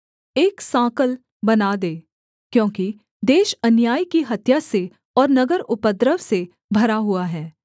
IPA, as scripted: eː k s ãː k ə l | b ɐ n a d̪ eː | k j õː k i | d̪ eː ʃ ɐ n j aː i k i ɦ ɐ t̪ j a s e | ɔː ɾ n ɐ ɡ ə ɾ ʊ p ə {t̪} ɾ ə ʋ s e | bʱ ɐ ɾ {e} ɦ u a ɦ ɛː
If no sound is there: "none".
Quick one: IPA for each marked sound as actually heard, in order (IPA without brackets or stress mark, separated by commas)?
d̪, a